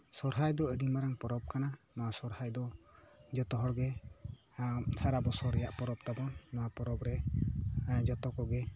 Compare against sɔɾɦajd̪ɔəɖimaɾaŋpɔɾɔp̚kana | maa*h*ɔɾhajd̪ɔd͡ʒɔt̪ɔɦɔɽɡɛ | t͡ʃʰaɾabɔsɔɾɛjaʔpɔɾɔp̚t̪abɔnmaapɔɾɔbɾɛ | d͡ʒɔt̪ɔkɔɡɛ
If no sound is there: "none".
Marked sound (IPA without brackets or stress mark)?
s